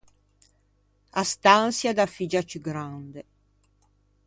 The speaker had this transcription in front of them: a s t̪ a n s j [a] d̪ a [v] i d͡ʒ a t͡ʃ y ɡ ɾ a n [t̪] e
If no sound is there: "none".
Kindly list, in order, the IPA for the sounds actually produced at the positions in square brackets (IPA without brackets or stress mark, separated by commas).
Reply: a, f, d̪